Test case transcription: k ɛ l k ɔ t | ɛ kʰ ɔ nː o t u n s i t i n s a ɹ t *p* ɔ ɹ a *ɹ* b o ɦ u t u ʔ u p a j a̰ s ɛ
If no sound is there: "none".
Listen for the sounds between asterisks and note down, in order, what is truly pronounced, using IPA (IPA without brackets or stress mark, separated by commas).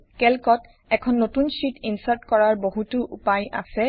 k, ɹ